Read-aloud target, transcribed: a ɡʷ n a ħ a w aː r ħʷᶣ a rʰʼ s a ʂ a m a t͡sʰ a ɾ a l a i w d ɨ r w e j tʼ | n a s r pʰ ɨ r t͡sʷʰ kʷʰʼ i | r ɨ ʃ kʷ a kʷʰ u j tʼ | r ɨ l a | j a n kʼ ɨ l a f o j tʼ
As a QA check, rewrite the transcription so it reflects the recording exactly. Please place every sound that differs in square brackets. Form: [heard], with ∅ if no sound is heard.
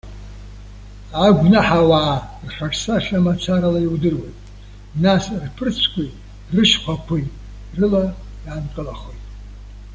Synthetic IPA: a ɡʷ n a ħ a w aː r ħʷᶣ a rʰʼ s a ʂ a m a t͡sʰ a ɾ a l a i w d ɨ r w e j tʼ | n a s r pʰ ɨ r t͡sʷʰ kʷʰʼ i | r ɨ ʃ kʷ a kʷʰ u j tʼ | r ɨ l a | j a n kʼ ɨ l a [χ] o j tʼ